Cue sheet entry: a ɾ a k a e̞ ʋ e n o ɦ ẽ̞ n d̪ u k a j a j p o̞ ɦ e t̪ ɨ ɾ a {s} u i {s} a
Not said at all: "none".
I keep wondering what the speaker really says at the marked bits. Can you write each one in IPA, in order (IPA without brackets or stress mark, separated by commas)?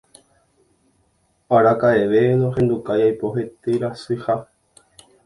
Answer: s, h